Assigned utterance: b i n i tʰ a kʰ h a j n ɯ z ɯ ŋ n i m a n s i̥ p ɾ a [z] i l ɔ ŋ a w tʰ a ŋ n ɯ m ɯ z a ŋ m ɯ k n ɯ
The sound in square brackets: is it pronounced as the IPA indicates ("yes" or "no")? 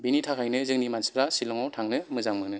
no